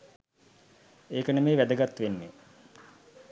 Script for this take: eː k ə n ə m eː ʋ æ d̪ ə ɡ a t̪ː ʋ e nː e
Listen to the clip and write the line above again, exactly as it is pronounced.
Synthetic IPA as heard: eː k ə n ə m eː ʋ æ d̪ ə ɡ a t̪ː ʋ e nː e